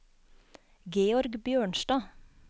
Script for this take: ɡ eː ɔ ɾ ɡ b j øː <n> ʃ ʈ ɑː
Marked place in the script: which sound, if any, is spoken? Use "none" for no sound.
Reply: ɳ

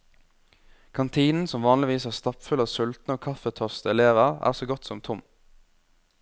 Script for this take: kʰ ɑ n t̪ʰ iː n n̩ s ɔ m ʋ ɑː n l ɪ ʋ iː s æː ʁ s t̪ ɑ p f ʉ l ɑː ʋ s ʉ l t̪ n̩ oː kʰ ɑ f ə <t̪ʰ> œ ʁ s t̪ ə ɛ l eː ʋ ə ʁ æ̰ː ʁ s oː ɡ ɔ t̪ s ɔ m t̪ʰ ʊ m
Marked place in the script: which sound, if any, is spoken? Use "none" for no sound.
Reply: t̪ʰ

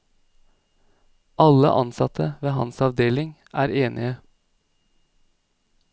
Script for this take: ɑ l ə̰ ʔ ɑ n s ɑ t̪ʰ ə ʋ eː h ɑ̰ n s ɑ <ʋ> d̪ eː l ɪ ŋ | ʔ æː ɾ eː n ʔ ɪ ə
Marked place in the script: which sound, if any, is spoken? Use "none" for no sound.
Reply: ʋ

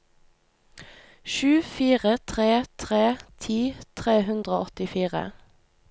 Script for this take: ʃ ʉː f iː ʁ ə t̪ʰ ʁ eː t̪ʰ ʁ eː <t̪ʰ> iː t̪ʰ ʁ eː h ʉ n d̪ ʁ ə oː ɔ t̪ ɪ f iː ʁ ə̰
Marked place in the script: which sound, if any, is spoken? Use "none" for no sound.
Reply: t̪ʰ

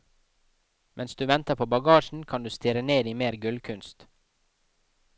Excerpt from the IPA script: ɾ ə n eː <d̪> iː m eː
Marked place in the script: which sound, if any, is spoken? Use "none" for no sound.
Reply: d̪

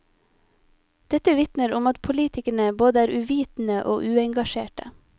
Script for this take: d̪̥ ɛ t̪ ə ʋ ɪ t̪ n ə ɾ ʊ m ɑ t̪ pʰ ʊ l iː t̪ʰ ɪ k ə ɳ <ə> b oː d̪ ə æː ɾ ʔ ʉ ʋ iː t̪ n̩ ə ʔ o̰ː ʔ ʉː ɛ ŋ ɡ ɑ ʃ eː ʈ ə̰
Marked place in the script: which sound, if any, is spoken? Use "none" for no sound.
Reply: ə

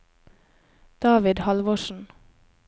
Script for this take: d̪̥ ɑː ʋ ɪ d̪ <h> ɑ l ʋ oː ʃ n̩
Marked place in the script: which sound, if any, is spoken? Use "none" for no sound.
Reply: h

